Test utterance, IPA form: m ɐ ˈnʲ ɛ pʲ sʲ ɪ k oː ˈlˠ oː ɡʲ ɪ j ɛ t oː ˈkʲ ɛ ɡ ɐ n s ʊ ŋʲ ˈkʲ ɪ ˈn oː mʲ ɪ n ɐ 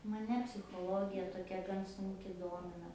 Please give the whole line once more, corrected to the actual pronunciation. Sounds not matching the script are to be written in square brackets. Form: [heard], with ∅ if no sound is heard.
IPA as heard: m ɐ ˈnʲ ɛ pʲ sʲ ɪ [x] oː ˈlˠ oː ɡʲ ɪ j ɛ t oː ˈkʲ ɛ ɡ ɐ n s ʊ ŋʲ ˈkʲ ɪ [ˈd] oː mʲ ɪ n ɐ